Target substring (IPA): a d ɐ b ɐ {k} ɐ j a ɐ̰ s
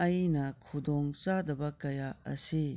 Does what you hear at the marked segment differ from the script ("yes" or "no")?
no